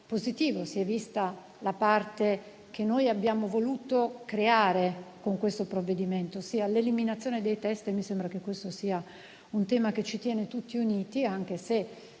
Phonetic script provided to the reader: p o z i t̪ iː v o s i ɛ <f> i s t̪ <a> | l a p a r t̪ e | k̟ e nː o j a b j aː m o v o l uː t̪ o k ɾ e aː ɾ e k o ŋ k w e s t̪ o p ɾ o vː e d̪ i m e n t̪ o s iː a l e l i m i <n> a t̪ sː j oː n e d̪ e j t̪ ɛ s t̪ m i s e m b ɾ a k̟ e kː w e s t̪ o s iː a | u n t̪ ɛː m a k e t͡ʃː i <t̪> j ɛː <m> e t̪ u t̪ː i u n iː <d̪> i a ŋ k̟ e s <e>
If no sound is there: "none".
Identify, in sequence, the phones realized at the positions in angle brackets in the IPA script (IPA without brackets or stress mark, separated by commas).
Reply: v, a, n, t̪, n, t̪, e